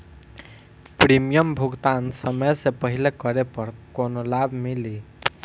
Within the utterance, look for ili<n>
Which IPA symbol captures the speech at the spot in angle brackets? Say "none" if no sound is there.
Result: none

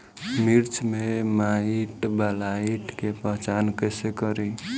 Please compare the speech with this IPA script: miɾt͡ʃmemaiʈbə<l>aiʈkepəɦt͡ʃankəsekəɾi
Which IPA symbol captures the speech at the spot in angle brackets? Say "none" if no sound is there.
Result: l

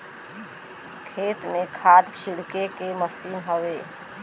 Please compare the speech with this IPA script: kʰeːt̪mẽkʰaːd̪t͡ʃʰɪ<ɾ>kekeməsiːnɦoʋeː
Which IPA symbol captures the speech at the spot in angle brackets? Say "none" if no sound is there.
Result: ɽ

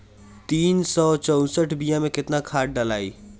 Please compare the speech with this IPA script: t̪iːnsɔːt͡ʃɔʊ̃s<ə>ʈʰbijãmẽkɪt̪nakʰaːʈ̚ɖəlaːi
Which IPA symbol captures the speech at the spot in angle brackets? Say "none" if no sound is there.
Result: ə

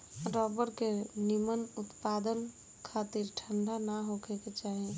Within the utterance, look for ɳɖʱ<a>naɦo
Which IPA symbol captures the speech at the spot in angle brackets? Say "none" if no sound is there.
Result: a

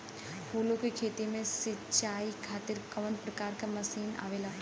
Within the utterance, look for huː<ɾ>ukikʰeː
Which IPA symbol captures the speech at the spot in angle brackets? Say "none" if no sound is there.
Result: l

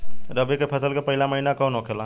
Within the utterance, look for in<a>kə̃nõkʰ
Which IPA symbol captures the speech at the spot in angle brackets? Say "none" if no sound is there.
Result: a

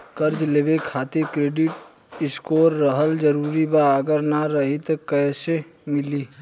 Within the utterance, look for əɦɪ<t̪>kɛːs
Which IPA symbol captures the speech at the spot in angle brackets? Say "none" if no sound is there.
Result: t̪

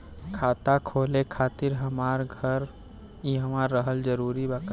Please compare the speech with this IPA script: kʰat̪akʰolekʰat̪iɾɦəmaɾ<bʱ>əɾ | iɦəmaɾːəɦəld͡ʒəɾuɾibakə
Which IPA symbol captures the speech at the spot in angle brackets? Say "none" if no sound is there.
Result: ɡʱ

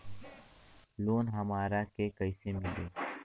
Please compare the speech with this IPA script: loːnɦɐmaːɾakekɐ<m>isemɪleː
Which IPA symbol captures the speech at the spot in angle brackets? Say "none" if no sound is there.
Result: none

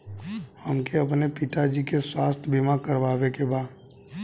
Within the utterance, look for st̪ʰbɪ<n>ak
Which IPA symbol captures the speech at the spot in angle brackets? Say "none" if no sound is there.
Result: m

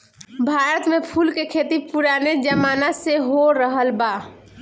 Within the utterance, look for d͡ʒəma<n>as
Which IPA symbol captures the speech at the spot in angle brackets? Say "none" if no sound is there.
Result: n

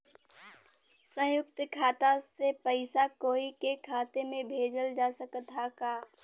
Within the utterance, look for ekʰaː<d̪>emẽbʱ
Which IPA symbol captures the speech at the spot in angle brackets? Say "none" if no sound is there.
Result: t̪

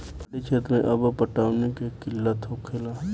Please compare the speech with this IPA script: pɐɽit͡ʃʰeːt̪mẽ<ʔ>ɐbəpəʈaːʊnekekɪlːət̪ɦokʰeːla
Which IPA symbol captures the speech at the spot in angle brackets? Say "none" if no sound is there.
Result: ʔ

